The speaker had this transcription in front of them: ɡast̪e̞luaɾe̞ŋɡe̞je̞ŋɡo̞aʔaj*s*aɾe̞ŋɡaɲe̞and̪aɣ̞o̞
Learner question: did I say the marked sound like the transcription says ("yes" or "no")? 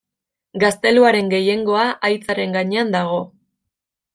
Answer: no